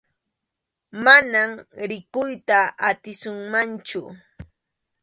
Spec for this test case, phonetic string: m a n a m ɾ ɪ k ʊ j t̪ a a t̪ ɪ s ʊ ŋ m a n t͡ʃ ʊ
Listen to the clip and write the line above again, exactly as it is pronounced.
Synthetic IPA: m a n a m ɾ ɪ k ʊ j t̪ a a t̪ ɪ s ʊ ŋ m a n t͡ʃ ʊ